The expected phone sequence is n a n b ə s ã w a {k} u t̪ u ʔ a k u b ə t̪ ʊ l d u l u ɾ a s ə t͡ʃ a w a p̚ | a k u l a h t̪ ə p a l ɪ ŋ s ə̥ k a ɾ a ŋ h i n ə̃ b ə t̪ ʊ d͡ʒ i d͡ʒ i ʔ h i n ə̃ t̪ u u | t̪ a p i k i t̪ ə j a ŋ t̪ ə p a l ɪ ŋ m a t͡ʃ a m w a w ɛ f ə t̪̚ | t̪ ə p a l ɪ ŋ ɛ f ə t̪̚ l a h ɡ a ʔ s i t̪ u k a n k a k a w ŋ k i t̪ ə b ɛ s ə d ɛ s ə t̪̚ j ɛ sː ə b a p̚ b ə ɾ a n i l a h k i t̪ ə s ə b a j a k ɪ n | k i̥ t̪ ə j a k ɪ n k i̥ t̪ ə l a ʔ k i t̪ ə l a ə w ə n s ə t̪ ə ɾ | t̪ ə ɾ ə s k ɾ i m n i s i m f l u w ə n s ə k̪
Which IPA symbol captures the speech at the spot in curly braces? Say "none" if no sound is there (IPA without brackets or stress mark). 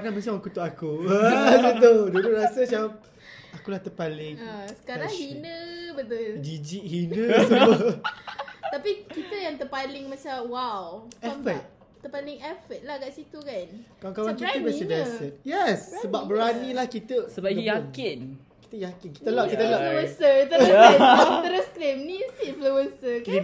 k